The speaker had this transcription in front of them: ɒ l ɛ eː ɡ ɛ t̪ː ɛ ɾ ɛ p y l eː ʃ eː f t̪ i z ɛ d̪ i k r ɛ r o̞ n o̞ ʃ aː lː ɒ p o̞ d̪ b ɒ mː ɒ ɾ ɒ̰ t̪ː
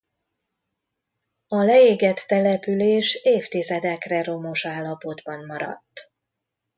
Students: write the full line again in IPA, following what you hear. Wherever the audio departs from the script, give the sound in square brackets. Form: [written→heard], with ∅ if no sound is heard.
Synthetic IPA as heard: ɒ l ɛ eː ɡ ɛ t̪ː ɛ [ɾ→l] ɛ p y l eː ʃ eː f t̪ i z ɛ d̪ [i→ɛ] k r ɛ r o̞ [n→m] o̞ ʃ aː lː ɒ p o̞ d̪ b ɒ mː ɒ ɾ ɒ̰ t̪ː